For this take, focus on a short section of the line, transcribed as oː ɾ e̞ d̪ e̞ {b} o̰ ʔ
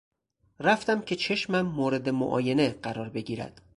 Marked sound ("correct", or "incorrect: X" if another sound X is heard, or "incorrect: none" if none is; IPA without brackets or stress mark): incorrect: m